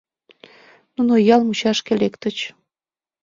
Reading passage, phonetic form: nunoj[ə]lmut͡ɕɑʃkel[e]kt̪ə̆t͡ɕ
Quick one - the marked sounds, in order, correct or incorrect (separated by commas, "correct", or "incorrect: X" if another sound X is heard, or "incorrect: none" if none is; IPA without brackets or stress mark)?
incorrect: ɑ, correct